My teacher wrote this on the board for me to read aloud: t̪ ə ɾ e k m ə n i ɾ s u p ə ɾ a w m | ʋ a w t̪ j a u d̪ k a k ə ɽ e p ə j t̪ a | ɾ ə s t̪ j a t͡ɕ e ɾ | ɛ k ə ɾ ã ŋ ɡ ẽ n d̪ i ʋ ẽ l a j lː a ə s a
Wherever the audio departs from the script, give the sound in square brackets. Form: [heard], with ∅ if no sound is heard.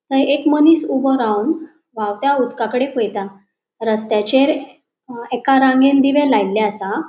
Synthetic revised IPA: t̪ ə ɾ e k m ə n i [∅] s u [b] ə ɾ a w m | ʋ a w t̪ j a u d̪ k a k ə ɽ e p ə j t̪ a | ɾ ə s t̪ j a t͡ɕ e ɾ | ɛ k [a] ɾ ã ŋ ɡ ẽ n d̪ i ʋ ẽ l a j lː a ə s a